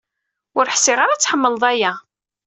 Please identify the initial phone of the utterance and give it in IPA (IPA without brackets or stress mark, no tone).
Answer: ʊ